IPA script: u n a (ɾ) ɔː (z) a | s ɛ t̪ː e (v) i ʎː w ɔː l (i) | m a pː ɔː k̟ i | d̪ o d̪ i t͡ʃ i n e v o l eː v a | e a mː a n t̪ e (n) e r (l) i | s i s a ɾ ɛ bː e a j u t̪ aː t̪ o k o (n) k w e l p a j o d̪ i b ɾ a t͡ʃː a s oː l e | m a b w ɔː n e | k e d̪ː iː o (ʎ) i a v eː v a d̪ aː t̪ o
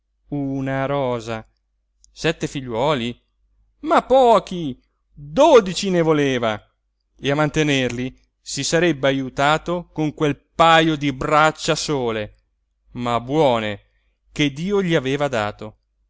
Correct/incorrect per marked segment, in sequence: correct, correct, incorrect: f, correct, correct, correct, incorrect: ŋ, correct

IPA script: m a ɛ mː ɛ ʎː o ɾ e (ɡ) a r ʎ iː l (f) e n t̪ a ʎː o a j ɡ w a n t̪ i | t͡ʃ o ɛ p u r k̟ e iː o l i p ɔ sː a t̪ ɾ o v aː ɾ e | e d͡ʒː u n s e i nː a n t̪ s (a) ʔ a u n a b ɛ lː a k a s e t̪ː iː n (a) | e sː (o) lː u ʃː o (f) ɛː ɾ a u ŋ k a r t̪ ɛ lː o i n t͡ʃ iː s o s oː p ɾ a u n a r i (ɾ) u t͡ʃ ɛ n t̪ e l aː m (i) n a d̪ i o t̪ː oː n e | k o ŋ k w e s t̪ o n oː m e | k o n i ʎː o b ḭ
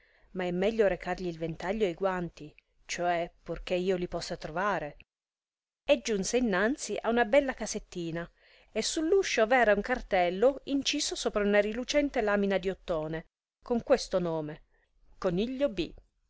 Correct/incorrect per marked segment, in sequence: incorrect: k, incorrect: v, incorrect: i, correct, incorrect: u, incorrect: v, incorrect: l, correct

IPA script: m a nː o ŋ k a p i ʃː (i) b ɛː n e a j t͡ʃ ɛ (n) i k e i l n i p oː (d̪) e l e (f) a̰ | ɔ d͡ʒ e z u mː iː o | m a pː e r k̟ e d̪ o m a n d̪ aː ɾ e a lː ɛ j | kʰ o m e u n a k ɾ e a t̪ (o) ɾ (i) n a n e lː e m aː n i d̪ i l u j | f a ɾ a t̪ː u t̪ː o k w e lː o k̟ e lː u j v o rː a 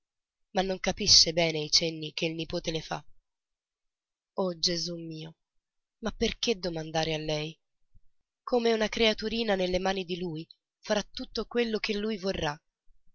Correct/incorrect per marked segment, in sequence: incorrect: e, incorrect: nː, incorrect: t̪, correct, incorrect: u, incorrect: iː

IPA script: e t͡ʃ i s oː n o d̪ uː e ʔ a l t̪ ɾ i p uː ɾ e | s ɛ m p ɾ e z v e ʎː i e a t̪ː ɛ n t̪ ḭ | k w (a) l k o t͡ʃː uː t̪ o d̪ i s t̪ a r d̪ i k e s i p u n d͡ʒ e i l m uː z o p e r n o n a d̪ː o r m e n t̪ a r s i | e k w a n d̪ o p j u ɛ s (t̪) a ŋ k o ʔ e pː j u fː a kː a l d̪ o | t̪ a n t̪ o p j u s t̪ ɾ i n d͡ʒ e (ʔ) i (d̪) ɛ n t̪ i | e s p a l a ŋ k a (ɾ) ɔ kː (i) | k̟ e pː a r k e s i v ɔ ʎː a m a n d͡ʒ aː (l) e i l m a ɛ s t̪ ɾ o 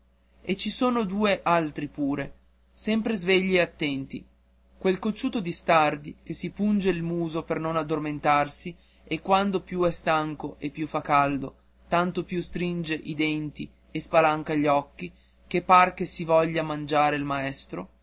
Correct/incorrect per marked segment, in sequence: incorrect: e, correct, correct, correct, incorrect: ʎ, correct, incorrect: ɾ

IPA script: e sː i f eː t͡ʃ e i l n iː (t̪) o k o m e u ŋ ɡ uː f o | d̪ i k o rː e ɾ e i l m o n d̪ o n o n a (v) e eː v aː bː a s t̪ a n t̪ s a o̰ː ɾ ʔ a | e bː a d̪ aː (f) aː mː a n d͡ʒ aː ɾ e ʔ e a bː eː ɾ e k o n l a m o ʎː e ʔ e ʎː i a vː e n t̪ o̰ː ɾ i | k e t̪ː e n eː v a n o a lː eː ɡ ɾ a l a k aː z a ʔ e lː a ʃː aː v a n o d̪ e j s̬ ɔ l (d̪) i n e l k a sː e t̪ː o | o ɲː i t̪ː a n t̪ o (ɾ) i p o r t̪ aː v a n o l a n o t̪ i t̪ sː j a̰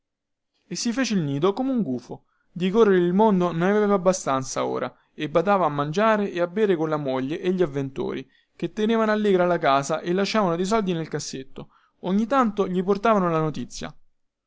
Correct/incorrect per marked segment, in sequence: incorrect: d̪, correct, incorrect: v, correct, incorrect: ʎ

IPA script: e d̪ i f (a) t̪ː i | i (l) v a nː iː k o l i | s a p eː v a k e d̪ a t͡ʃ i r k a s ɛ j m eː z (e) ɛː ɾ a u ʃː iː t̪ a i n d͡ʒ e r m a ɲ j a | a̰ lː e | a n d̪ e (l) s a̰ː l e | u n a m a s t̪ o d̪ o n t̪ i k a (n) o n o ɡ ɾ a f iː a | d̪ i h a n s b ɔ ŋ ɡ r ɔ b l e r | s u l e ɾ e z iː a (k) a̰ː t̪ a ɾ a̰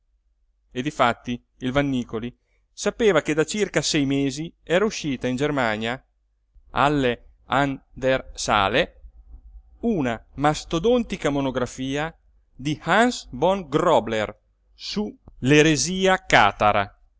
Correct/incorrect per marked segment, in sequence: correct, correct, incorrect: i, incorrect: r, incorrect: m, correct

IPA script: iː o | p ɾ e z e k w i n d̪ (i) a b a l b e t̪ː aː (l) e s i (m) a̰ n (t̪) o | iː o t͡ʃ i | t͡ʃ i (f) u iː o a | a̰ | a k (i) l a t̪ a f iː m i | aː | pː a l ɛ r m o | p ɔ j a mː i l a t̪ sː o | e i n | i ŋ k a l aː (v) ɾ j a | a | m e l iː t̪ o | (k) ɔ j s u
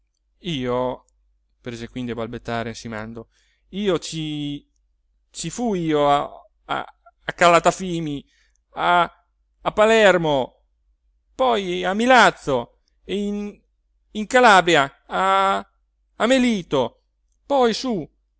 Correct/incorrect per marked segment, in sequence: correct, incorrect: ɾ, correct, incorrect: d̪, correct, incorrect: a, incorrect: b, incorrect: p

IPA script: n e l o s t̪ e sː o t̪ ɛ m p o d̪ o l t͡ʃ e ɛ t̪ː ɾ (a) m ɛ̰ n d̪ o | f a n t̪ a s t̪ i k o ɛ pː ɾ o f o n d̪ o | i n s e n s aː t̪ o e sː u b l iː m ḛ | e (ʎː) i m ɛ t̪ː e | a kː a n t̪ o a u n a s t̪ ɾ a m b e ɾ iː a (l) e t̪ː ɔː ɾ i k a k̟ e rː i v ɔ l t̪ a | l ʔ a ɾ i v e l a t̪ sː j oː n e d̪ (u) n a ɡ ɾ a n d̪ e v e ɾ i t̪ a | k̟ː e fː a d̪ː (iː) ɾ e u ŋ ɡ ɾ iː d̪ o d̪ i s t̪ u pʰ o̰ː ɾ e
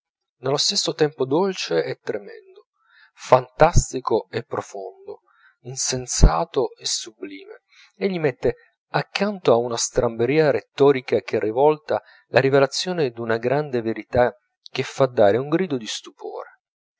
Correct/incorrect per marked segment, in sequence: incorrect: e, correct, incorrect: ɾ, correct, incorrect: aː

